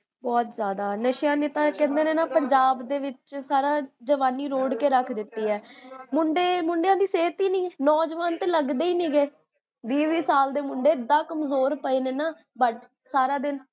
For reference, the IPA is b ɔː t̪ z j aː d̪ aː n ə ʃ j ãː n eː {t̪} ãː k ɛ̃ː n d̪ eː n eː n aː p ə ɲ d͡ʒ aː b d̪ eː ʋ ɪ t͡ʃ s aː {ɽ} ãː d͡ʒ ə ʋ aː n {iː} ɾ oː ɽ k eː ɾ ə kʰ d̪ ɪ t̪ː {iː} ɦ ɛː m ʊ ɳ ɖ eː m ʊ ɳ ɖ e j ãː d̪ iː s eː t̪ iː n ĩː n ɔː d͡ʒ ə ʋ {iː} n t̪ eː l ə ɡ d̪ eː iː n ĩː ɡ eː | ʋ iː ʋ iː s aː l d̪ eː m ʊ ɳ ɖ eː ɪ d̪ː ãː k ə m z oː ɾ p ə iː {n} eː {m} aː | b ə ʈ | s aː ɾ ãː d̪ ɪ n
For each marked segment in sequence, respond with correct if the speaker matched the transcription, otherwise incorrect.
correct, incorrect: ɾ, correct, correct, incorrect: aː, correct, incorrect: n

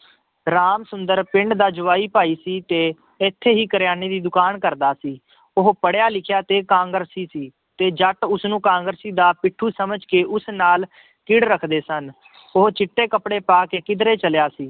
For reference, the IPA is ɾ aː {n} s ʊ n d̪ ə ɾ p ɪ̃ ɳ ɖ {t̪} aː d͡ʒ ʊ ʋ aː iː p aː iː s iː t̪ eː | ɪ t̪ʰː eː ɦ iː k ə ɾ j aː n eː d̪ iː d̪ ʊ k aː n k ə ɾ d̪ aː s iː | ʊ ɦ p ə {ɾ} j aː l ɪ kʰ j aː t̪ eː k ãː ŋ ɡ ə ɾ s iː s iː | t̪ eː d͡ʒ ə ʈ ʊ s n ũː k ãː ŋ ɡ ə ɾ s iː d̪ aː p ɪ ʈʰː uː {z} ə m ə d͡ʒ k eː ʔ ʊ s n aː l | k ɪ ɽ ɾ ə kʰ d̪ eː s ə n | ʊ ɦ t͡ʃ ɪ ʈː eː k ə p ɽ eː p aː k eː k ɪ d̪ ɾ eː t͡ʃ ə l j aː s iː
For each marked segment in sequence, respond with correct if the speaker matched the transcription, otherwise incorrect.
incorrect: m, incorrect: d̪, incorrect: ɽ, incorrect: s

